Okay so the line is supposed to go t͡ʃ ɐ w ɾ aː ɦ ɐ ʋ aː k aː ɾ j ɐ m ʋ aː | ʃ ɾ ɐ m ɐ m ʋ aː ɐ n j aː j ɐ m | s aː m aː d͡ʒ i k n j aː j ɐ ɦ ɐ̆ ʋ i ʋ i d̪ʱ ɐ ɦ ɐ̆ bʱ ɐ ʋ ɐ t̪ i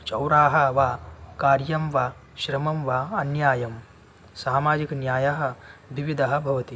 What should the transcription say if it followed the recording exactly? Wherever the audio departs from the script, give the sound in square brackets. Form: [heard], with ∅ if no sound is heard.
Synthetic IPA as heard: t͡ʃ ɐ w ɾ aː ɦ ɐ ʋ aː k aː ɾ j ɐ m ʋ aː | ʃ ɾ ɐ m ɐ m ʋ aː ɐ n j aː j ɐ m | s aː m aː d͡ʒ i k n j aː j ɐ ɦ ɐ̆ ʋ i ʋ i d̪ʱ ɐ ɦ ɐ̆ bʱ ɐ ʋ ɐ t̪ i